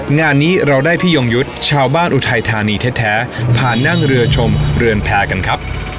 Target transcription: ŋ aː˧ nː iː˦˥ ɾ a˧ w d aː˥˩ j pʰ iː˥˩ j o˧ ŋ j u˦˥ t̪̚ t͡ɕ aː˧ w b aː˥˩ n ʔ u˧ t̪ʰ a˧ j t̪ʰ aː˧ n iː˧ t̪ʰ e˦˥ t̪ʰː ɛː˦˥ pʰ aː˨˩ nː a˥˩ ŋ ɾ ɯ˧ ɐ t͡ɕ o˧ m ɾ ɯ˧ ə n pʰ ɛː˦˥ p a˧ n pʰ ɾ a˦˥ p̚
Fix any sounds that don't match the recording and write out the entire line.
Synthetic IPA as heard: ŋ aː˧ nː iː˦˥ ɾ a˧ w d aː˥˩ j pʰ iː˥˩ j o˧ ŋ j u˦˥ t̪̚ t͡ɕʰ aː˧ w b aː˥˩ n ʔ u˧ t̪ʰ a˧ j t̪ʰ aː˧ n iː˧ t̪ʰ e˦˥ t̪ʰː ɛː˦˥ pʰ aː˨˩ nː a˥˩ ŋ ɾ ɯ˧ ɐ t͡ɕʰ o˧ m ɾ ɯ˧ ə n pʰ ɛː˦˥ k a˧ n kʰ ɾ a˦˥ p̚